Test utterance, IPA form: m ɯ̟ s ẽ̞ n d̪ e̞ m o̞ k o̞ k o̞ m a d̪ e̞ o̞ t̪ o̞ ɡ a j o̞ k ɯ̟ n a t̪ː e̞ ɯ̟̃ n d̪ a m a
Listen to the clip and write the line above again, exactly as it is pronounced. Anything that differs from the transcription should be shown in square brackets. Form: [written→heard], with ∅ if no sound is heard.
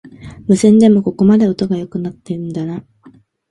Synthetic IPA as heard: m ɯ̟ s ẽ̞ n d̪ e̞ m o̞ k o̞ k o̞ m a d̪ e̞ o̞ t̪ o̞ ɡ a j o̞ k ɯ̟ n a t̪ː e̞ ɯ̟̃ n d̪ a [m→n] a

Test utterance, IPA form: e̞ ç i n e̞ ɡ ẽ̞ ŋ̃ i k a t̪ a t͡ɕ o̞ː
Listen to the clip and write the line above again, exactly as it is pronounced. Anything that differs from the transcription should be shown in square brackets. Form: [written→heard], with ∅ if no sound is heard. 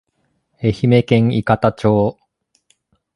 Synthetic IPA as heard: e̞ ç i [n→m] e̞ [ɡ→k] ẽ̞ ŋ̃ i k a t̪ a t͡ɕ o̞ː

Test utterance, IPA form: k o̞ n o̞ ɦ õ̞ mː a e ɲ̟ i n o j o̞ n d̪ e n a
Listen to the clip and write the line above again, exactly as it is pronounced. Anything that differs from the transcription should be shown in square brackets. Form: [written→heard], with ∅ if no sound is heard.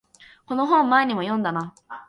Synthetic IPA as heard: k o̞ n o̞ ɦ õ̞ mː a e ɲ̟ i [n→m] o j [o̞→õ̞] n d̪ [e→a] n a

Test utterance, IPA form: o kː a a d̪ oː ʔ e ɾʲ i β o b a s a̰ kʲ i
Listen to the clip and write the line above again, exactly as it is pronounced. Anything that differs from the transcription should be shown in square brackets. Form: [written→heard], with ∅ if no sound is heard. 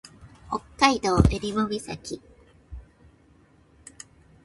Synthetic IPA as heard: o kː a [a→i] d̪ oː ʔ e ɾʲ i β o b [a→i] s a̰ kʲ i

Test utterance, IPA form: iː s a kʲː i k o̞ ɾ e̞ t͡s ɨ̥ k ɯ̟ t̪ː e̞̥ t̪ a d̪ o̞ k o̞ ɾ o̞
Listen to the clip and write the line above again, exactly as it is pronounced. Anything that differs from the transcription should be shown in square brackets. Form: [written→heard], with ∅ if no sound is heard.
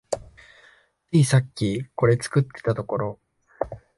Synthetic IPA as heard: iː s a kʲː i k o̞ ɾ e̞ t͡s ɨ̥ k ɯ̟ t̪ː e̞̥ t̪ a [d̪→t̪] o̞ k o̞ ɾ o̞

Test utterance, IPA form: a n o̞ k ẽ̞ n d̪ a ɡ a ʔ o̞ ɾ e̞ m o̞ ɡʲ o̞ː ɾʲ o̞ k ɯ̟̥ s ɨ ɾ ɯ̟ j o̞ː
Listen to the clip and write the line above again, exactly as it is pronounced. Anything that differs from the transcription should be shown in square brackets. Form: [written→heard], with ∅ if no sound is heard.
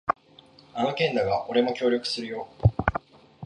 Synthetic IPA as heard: a n o̞ k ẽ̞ n d̪ a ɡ a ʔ o̞ ɾ e̞ m o̞ [ɡʲ→kʲ] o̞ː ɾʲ o̞ k ɯ̟̥ s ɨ ɾ ɯ̟ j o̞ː

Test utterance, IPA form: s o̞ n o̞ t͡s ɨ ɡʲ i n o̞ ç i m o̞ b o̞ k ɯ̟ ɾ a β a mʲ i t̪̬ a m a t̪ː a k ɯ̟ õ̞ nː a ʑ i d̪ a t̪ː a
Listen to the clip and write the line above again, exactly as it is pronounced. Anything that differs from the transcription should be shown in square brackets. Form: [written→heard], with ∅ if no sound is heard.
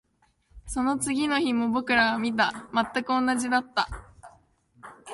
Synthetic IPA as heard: s o̞ n o̞ t͡s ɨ ɡʲ i n o̞ ç i m o̞ b o̞ k ɯ̟ ɾ a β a mʲ i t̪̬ a m a t̪ː a k ɯ̟ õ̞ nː a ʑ i d̪ a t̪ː a

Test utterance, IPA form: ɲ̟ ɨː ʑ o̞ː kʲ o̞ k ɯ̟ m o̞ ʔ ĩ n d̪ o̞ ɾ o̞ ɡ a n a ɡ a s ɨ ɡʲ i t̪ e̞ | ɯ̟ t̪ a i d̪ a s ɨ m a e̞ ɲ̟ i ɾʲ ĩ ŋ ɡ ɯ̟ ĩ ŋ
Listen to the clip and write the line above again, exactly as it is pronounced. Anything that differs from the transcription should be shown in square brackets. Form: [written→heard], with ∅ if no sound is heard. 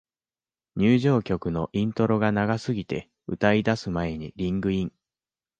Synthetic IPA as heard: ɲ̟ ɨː ʑ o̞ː kʲ o̞ k ɯ̟ [m→n] o̞ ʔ ĩ n [d̪→t̪] o̞ ɾ o̞ ɡ a n a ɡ a s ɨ ɡʲ i t̪ e̞ | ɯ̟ t̪ a i d̪ a s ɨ m a e̞ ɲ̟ i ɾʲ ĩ ŋ ɡ ɯ̟ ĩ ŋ

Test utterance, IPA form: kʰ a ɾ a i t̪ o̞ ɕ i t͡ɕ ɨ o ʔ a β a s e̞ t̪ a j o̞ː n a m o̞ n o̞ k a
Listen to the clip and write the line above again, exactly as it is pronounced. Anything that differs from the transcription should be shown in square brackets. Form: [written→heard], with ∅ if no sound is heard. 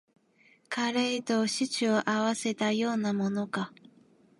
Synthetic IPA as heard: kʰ a ɾ [a→e] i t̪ o̞ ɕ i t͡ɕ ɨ o ʔ a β a s e̞ t̪ a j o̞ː n a m o̞ n o̞ k a

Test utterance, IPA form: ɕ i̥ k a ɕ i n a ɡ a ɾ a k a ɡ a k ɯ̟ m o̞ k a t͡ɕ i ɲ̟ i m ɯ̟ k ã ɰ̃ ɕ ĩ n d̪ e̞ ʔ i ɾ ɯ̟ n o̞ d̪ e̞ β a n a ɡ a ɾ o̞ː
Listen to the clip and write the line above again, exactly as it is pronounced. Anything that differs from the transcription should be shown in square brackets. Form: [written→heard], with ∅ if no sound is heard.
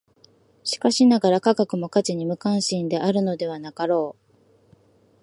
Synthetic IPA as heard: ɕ i̥ k a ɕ i n a ɡ a ɾ a k a ɡ a k ɯ̟ m o̞ k a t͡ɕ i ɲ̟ i m ɯ̟ k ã ɰ̃ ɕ ĩ n d̪ e̞ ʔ [i→a] ɾ ɯ̟ n o̞ d̪ e̞ β a n a [ɡ→k] a ɾ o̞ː

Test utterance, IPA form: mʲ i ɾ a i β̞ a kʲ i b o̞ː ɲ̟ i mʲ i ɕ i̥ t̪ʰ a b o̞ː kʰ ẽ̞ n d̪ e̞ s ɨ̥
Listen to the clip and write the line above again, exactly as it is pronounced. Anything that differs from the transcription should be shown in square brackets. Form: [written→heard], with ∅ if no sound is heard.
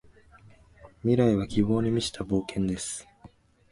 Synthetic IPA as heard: mʲ i ɾ a i β̞ a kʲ i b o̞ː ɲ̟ i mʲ i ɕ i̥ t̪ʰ a b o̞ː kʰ ẽ̞ n d̪ e̞ s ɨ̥

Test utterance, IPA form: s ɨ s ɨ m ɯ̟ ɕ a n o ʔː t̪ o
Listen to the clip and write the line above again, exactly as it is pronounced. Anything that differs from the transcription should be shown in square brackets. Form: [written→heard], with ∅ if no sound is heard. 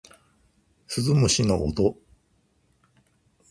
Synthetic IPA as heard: s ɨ [s→z] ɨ m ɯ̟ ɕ [a→i] n o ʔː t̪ o

